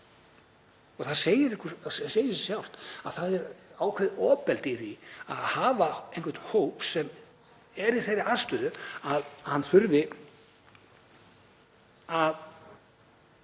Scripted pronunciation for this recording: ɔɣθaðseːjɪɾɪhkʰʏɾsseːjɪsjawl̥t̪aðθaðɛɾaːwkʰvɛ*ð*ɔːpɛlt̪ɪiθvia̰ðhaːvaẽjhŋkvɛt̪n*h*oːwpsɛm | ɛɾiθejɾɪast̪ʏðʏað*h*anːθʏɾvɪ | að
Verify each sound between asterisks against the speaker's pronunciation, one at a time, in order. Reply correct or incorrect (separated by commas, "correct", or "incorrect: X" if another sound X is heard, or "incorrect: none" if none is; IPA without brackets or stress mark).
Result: correct, correct, correct